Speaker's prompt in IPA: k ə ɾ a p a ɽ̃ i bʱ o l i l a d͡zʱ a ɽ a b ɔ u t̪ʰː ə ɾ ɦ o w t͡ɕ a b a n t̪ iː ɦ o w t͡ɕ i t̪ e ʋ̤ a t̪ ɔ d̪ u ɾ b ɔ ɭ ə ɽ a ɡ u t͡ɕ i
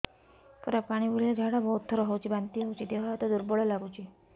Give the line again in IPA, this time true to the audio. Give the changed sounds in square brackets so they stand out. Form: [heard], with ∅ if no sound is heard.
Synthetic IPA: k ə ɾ a p a ɽ̃ i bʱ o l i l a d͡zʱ a ɽ a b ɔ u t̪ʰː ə ɾ ɦ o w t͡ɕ [i] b a n t̪ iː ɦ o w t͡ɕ i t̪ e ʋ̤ a t̪ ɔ d̪ u ɾ b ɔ ɭ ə [l] a ɡ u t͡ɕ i